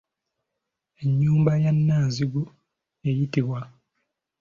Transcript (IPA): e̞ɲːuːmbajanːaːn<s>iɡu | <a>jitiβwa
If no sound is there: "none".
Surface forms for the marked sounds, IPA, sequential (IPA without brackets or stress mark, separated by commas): z, e